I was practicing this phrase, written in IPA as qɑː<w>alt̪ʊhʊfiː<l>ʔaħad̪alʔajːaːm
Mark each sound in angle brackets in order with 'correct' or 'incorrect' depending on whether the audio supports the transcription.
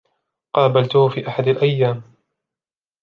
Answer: incorrect: b, incorrect: none

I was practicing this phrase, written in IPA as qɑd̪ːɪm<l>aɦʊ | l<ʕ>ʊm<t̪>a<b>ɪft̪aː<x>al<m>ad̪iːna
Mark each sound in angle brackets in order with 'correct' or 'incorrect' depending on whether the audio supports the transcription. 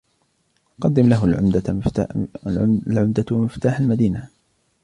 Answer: correct, correct, incorrect: d̪, incorrect: m, incorrect: ħ, correct

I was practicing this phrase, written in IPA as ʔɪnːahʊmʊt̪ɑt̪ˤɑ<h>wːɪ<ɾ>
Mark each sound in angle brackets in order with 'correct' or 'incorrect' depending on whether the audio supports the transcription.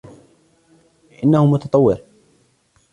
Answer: incorrect: none, correct

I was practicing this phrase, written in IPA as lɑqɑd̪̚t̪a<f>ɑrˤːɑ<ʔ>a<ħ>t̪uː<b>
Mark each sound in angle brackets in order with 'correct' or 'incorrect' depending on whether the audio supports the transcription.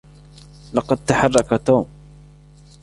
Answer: incorrect: ħ, incorrect: k, incorrect: none, incorrect: m

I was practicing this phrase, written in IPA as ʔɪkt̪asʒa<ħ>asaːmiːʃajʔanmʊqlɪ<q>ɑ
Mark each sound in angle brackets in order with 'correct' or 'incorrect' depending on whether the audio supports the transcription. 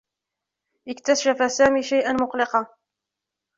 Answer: incorrect: f, correct

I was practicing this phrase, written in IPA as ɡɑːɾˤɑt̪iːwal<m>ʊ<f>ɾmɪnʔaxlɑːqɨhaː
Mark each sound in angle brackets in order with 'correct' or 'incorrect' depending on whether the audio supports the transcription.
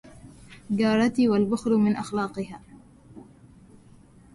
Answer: incorrect: b, incorrect: x

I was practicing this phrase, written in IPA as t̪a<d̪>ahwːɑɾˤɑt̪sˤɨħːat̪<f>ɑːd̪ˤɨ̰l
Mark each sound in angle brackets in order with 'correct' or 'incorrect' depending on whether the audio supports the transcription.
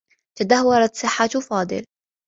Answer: correct, correct

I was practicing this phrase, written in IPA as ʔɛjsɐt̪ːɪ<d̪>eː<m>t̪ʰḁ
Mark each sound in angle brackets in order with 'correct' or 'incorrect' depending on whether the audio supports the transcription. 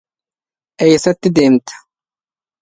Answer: correct, correct

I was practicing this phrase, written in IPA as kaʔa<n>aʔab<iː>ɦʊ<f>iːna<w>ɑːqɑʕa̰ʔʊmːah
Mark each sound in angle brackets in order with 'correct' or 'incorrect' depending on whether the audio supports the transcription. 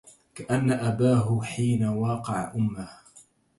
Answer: incorrect: nː, incorrect: aː, incorrect: ħ, correct

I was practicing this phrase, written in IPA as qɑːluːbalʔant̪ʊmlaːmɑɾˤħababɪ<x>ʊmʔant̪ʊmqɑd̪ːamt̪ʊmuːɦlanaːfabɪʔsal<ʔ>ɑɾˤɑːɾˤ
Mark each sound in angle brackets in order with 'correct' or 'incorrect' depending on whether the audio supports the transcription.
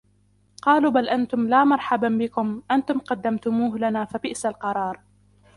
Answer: incorrect: k, incorrect: q

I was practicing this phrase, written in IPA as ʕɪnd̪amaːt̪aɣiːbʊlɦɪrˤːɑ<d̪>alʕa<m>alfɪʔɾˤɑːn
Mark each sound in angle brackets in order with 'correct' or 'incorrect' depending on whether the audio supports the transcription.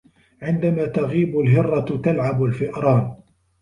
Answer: incorrect: t̪, incorrect: b

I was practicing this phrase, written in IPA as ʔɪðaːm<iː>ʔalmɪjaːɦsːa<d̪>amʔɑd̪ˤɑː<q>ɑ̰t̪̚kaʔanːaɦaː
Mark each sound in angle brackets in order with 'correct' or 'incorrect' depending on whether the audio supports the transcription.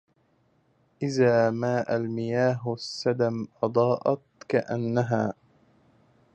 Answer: incorrect: aː, correct, incorrect: ʔ

